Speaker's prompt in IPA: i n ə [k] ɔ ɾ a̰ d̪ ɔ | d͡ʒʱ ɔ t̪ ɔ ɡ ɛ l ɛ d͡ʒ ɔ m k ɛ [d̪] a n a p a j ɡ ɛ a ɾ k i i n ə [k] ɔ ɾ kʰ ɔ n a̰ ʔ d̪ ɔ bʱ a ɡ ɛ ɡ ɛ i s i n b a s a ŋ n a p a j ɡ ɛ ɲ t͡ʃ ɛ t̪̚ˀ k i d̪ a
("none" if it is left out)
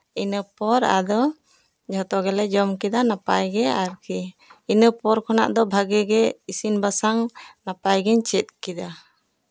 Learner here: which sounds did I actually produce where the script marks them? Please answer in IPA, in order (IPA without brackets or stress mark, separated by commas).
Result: p, d̪, p